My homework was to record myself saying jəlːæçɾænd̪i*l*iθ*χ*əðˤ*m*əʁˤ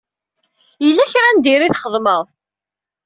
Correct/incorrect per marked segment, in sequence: incorrect, correct, correct

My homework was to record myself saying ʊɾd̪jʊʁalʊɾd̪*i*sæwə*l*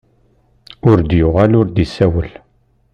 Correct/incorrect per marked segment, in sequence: correct, correct

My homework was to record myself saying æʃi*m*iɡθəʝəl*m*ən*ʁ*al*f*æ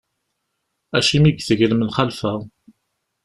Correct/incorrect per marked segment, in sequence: correct, correct, incorrect, correct

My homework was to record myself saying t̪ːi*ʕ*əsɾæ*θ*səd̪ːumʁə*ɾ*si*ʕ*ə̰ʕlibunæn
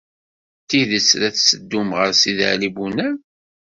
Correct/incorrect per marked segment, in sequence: incorrect, correct, correct, incorrect

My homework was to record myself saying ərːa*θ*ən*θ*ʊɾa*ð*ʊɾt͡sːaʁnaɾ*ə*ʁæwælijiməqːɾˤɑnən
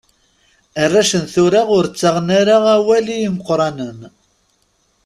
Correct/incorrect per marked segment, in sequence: incorrect, correct, incorrect, incorrect

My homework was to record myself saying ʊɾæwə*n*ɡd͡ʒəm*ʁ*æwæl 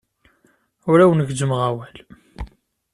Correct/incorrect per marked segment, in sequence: correct, correct

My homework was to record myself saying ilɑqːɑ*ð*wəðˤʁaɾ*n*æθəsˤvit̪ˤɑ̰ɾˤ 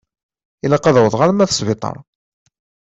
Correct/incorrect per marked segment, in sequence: correct, incorrect

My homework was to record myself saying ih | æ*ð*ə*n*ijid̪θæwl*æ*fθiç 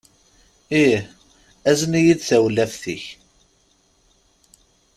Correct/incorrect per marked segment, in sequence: incorrect, correct, correct

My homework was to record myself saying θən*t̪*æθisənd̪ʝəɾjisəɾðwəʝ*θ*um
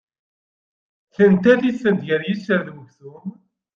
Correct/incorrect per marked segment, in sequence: correct, correct

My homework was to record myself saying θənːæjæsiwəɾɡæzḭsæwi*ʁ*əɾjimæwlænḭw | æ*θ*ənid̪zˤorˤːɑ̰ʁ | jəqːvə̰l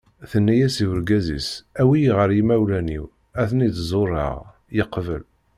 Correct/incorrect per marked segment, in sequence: correct, correct

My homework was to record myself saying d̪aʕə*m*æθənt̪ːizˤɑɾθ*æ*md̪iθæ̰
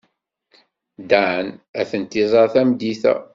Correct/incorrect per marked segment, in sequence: incorrect, correct

